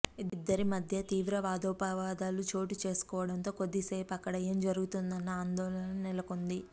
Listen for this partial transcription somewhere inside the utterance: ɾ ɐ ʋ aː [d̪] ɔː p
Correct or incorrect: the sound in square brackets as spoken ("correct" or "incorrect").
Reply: correct